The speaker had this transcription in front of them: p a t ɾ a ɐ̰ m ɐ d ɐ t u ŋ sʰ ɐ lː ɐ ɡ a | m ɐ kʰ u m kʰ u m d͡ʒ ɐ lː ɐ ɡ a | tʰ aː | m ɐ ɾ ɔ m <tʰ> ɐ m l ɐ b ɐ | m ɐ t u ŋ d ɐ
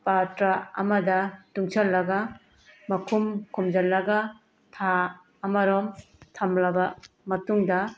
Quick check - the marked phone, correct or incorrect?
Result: correct